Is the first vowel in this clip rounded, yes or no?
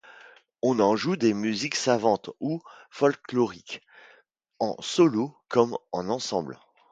yes